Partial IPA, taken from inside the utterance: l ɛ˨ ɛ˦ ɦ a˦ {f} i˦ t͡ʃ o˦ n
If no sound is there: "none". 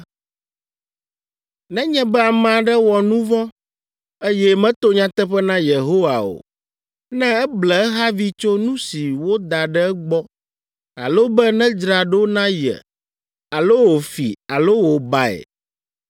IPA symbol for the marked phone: v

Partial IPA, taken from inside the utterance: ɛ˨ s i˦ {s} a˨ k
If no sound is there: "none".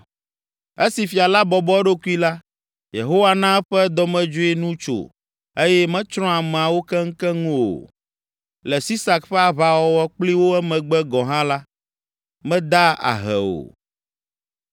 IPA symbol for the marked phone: s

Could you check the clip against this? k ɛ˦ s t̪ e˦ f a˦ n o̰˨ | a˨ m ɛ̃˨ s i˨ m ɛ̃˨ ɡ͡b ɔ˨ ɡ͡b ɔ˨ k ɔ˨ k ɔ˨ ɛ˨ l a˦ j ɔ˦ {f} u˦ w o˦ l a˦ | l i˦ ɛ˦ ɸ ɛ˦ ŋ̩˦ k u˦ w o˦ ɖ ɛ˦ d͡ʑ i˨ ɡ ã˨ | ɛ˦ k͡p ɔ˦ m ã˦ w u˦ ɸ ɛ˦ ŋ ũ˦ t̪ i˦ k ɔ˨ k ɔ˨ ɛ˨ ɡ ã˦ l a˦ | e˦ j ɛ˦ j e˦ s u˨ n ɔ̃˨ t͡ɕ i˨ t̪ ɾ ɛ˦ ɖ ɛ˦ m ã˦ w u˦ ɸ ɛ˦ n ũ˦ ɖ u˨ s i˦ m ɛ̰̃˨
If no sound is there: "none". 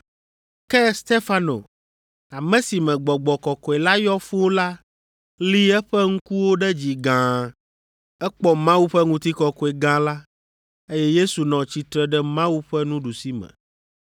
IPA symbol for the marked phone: f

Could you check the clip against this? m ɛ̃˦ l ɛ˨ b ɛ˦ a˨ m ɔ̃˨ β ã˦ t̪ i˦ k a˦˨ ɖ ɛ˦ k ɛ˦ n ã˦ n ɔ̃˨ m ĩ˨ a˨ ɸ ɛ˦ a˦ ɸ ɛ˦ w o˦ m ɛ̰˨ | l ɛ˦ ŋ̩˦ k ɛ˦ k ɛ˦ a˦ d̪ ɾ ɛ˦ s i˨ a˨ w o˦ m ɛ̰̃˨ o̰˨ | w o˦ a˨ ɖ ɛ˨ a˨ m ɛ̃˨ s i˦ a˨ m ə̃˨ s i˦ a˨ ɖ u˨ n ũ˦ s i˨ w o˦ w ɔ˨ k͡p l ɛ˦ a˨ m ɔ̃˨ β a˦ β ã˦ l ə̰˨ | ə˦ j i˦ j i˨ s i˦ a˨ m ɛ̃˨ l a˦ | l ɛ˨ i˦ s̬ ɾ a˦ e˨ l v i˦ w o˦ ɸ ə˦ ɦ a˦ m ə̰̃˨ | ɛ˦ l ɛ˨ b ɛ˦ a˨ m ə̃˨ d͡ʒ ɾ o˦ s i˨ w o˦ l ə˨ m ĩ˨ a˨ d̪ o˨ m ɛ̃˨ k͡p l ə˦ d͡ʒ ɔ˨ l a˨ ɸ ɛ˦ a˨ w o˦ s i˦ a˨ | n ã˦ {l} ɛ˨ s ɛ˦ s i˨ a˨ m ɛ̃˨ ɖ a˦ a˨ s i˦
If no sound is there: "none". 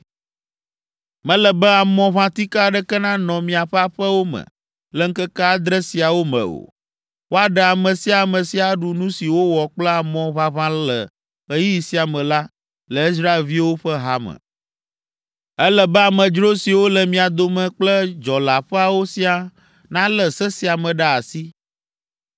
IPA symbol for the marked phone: l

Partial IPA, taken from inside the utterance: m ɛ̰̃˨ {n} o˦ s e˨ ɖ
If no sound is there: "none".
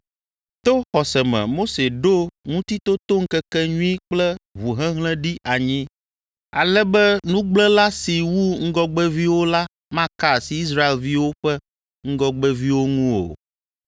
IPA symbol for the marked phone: m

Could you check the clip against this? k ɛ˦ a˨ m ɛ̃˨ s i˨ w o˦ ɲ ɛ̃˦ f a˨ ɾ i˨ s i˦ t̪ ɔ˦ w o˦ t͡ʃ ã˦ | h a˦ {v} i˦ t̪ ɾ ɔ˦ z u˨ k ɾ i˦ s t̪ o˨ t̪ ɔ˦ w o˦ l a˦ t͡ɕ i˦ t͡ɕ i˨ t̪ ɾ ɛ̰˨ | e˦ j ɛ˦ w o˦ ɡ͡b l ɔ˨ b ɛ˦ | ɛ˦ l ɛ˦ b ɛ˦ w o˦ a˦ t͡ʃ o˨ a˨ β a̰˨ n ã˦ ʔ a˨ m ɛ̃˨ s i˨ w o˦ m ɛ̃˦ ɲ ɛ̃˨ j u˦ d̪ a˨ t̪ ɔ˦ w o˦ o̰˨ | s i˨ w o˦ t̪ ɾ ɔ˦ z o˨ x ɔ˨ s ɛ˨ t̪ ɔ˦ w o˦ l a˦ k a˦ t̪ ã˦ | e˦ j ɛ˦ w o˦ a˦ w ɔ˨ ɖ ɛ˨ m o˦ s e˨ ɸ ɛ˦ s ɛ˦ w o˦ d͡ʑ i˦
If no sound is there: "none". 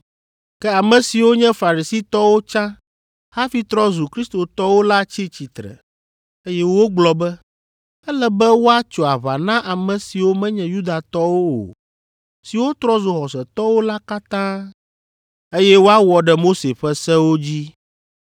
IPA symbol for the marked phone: f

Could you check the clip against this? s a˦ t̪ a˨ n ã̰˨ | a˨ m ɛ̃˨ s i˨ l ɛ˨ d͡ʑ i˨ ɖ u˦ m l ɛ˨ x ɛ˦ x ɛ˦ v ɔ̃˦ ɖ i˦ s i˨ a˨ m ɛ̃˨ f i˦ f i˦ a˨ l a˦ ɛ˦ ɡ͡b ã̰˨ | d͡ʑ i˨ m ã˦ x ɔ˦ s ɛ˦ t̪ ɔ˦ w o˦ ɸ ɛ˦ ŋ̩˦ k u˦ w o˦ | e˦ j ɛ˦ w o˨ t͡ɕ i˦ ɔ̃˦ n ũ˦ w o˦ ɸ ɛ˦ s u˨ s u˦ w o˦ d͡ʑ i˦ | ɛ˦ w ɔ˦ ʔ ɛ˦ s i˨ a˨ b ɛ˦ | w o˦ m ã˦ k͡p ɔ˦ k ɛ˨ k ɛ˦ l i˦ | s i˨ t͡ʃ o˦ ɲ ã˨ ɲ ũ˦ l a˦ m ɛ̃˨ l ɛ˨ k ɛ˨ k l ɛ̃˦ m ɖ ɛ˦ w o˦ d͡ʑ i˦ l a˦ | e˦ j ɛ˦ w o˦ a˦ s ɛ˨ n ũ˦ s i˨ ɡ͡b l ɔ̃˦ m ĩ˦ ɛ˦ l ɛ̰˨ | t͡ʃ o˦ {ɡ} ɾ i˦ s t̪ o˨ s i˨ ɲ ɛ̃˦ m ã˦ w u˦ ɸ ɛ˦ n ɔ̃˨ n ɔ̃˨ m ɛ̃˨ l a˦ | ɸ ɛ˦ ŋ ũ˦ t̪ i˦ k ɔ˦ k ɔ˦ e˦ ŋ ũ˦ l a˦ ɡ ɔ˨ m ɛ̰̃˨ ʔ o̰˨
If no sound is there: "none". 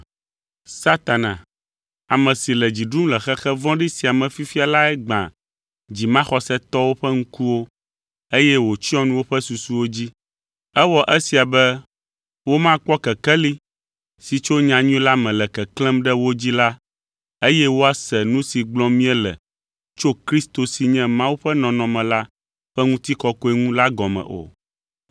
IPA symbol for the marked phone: k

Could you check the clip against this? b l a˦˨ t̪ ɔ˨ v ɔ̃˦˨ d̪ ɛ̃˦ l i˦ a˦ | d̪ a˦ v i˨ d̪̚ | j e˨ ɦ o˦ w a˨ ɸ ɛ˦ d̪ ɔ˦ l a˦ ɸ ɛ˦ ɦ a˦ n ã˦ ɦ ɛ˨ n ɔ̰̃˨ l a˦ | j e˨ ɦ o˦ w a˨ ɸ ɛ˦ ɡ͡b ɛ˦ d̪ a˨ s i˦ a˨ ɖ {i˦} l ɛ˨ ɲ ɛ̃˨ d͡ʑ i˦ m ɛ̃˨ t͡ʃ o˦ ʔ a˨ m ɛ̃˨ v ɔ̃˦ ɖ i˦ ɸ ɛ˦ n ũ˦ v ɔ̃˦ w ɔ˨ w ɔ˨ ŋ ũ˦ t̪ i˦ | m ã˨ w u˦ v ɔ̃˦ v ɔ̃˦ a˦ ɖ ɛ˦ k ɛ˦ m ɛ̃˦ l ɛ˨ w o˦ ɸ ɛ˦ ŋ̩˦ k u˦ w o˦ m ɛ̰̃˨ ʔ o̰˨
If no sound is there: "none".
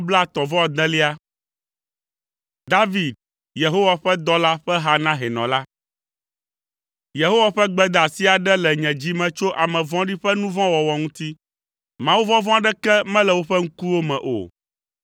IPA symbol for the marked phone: ɛ˦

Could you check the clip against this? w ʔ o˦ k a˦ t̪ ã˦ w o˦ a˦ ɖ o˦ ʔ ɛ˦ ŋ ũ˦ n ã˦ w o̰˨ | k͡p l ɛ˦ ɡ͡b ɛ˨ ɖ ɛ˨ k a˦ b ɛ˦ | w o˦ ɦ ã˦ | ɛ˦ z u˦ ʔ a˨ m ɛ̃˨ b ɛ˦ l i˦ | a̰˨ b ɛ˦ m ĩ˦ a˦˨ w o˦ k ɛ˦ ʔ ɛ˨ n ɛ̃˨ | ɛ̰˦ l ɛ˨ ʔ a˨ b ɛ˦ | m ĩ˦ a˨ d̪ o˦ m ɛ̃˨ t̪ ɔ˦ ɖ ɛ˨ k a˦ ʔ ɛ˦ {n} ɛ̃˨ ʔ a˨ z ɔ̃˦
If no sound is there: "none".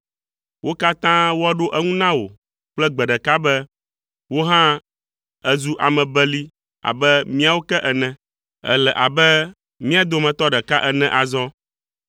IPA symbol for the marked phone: n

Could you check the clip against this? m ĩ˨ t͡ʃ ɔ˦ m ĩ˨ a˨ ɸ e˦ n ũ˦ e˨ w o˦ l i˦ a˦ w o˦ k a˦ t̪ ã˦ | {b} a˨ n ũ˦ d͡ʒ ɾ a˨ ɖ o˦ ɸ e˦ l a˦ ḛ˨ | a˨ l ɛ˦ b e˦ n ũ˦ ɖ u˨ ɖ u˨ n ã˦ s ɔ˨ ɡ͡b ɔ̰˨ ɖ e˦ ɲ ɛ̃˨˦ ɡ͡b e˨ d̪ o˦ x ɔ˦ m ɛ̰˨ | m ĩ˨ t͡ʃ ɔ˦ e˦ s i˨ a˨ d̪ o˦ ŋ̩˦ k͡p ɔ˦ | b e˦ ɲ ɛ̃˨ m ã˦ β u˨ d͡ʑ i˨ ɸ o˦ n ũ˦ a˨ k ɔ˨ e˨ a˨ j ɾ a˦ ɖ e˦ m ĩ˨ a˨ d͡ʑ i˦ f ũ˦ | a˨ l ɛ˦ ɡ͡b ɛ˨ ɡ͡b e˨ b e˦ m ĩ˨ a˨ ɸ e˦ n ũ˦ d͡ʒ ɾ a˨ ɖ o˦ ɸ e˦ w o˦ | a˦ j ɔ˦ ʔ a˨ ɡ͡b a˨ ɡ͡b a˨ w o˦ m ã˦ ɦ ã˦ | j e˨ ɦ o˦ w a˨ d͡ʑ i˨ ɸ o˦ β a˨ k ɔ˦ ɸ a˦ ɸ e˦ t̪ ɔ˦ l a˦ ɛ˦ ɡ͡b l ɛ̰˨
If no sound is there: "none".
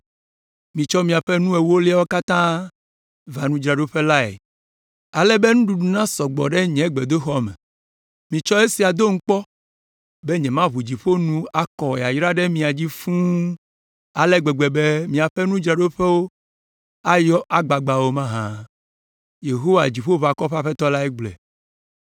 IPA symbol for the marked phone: v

